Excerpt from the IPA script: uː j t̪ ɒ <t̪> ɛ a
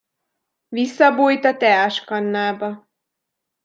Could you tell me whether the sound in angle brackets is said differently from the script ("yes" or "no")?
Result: no